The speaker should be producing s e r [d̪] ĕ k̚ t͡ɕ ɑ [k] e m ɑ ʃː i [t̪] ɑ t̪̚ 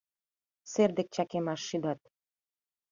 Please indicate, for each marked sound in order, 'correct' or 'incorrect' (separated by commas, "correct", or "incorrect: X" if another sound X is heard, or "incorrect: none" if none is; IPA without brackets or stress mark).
correct, correct, incorrect: d̪